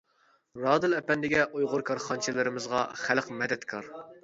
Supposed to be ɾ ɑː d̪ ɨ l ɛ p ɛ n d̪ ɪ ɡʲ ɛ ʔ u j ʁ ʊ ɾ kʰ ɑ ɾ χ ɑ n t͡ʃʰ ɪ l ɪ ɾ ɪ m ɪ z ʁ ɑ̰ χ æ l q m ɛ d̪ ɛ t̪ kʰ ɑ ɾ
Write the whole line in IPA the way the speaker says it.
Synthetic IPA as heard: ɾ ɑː d̪ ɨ l ɛ p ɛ n d̪ ɪ ɡʲ ɛ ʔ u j ʁ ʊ ɾ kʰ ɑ ɾ χ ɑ n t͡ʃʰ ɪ l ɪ ɾ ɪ m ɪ z ʁ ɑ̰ χ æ l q m ɛ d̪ ɛ t̪ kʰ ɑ ɾ

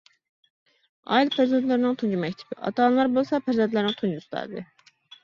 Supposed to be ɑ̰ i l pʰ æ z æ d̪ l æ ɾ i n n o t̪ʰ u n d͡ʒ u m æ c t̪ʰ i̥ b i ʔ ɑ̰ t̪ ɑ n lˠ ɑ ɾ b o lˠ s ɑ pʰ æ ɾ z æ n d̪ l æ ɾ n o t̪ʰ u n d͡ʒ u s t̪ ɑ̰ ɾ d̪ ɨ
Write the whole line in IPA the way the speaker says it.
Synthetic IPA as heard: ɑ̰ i l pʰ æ z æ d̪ l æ ɾ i n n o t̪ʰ u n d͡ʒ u m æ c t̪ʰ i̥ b i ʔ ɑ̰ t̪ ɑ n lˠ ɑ ɾ b o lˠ s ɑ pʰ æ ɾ z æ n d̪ l æ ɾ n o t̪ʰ u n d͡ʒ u s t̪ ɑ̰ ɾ d̪ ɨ

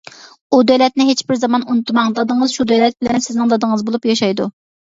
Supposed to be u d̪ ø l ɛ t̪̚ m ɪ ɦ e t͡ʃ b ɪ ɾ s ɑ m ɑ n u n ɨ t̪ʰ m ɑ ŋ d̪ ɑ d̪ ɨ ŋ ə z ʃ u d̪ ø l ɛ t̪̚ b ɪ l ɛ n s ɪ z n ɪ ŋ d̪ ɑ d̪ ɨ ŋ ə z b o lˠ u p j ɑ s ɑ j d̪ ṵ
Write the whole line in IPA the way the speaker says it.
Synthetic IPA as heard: u d̪ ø l ɛ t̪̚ n ɪ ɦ e t͡ʃ b ɪ ɾ z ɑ m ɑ n u n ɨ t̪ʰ m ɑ ŋ d̪ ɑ d̪ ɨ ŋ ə z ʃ u d̪ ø l ɛ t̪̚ b ɪ l ɛ n s ɪ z n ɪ ŋ d̪ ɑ d̪ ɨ ŋ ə z b o lˠ u p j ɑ ʃ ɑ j d̪ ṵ

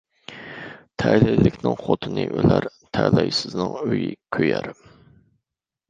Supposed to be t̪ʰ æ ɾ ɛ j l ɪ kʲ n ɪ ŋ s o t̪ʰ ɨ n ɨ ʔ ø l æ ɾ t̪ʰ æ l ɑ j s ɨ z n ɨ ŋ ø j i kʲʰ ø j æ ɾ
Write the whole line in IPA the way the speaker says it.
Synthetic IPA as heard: t̪ʰ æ l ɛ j l ɪ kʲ n ɪ ŋ χ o t̪ʰ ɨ n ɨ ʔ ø l æ ɾ t̪ʰ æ l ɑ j s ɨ z n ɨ ŋ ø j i kʲʰ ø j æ ɾ

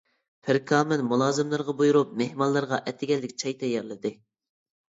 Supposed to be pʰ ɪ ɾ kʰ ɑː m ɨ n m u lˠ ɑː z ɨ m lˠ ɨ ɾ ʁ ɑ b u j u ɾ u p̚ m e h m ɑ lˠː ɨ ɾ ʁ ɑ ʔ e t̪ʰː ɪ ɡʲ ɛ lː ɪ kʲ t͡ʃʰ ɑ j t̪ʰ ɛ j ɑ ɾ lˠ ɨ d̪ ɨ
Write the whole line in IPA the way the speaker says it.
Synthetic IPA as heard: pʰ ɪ ɾ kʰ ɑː m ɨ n m u lˠ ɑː z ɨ m lˠ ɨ ɾ ʁ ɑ b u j u ɾ u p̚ m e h m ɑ lˠː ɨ ɾ ʁ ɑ ʔ ɛ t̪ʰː ɪ ɡʲ ɛ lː ɪ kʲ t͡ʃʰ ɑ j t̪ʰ ɛ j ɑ ɾ lˠ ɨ d̪ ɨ

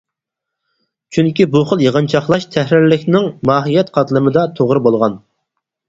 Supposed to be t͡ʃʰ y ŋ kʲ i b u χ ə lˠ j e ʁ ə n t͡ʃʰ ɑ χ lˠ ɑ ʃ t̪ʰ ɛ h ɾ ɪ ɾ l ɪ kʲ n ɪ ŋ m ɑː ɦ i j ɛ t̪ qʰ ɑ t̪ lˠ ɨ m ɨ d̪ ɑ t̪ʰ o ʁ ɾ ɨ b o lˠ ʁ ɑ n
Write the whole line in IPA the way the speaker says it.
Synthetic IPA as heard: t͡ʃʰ y ŋ kʲ i b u χ ə lˠ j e ʁ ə n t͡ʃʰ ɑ χ lˠ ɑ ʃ t̪ʰ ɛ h ɾ ɪ ɾ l ɪ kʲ n ɪ ŋ m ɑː ɦ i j ɛ t̪ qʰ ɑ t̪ lˠ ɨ m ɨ d̪ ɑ t̪ʰ o ʁ ɾ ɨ b o lˠ ʁ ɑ n

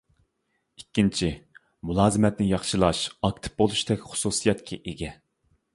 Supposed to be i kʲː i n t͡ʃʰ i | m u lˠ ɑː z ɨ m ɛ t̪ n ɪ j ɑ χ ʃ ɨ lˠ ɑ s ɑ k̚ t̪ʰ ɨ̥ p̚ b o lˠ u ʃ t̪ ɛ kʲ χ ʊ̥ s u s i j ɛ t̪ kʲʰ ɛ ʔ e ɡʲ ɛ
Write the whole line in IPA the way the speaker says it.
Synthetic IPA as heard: i kʲː i n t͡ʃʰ i | m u lˠ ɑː z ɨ m ɛ t̪ n ɪ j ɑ χ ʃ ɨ lˠ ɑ ʃ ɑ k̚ t̪ʰ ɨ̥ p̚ b o lˠ u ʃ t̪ ɛ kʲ χ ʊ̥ s u s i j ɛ t̪ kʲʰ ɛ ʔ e ɡʲ ɛ

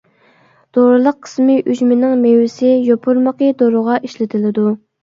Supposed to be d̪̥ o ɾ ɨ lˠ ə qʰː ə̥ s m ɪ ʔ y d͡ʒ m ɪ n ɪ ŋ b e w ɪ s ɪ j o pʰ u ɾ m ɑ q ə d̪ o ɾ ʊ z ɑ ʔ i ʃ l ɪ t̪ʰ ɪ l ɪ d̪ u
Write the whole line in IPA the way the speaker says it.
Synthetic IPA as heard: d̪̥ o ɾ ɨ lˠ ə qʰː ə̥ s m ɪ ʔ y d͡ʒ m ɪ n ɪ ŋ m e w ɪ s ɪ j o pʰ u ɾ m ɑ q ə d̪ o ɾ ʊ ʁ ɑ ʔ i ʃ l ɪ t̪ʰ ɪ l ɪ d̪ u

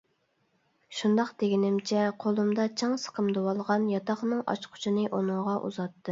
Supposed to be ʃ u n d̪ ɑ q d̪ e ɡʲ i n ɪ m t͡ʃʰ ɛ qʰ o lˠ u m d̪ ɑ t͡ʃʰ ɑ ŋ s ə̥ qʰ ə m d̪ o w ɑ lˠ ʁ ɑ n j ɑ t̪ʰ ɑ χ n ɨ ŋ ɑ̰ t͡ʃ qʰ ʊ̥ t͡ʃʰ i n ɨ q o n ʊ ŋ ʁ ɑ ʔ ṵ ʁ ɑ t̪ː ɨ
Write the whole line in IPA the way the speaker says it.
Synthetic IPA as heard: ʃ u n d̪ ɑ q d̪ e ɡʲ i n ɪ m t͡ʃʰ ɛ qʰ o lˠ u m d̪ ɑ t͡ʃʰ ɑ ŋ s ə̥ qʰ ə m d̪ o w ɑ lˠ ʁ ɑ n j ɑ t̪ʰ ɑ χ n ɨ ŋ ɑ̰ t͡ʃ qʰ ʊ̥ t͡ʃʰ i n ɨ ʔ o n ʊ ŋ ʁ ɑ ʔ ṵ z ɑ t̪ː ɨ

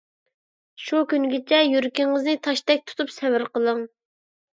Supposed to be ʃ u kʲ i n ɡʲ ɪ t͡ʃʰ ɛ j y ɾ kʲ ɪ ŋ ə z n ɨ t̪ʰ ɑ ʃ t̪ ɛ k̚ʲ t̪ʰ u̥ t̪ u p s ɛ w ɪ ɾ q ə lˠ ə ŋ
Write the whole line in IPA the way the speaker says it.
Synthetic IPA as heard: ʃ u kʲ y n ɡʲ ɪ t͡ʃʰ ɛ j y ɾ kʲ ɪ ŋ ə z n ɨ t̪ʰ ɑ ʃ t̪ ɛ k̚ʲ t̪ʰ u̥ t̪ u p s ɛ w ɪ ɾ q ə lˠ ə ŋ

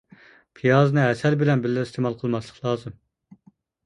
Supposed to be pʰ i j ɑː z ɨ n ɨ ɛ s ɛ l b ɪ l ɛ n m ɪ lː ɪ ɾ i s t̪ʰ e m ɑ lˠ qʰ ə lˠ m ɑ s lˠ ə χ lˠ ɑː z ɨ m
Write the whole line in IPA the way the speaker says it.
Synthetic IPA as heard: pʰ i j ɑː z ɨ n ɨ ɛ s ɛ l b ɪ l ɛ n b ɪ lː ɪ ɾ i s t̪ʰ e m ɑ lˠ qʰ ə lˠ m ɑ s lˠ ə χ lˠ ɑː z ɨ m

